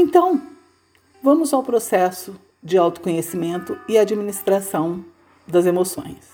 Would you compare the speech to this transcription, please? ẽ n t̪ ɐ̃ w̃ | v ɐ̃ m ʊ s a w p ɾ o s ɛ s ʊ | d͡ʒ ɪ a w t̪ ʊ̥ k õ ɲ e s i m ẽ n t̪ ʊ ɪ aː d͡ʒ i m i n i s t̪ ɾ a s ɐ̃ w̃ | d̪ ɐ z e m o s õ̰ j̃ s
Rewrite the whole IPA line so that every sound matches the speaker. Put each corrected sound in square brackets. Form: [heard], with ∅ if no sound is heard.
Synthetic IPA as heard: ẽ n t̪ ɐ̃ w̃ | v ɐ̃ m ʊ [z] a w p ɾ o s ɛ s ʊ | d͡ʒ ɪ a w t̪ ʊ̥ k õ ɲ e s i m ẽ n t̪ ʊ ɪ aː d͡ʒ i m i n i s t̪ ɾ a s ɐ̃ w̃ | d̪ ɐ z e m o s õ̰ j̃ s